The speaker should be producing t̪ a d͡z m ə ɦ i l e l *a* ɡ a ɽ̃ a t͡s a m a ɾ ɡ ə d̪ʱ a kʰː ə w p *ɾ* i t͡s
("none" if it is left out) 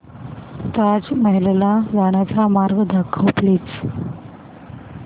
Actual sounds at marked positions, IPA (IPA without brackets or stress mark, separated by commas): a, l